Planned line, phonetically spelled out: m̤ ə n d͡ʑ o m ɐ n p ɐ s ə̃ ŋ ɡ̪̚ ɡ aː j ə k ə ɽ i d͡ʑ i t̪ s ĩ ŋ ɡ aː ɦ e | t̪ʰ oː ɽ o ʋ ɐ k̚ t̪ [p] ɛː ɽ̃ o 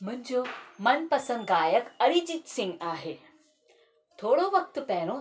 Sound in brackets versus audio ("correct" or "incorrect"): correct